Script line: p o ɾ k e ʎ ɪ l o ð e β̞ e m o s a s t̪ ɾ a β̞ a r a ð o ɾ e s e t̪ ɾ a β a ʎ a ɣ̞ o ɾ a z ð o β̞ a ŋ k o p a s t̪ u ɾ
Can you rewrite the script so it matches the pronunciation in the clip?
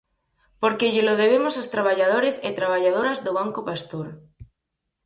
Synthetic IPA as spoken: p o ɾ k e ʎ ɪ l o ð e β̞ e m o s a s t̪ ɾ a β̞ a ʎ a ð o ɾ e s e t̪ ɾ a β a ʎ a ð̞ o ɾ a z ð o β̞ a ŋ k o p a s t̪ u ɾ